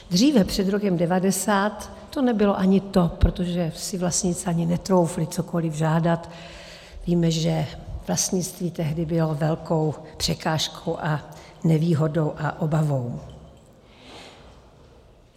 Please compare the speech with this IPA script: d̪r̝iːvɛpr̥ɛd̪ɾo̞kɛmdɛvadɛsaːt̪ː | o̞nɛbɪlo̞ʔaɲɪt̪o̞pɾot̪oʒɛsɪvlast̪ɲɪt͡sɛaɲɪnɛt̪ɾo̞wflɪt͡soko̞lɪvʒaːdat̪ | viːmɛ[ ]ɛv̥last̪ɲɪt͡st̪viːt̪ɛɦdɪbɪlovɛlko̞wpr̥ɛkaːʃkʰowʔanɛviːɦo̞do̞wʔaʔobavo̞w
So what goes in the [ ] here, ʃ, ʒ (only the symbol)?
ʒ